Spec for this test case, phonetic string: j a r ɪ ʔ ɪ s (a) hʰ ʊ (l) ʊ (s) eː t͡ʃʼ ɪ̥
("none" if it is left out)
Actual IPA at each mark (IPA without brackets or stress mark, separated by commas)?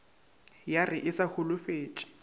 a, l, f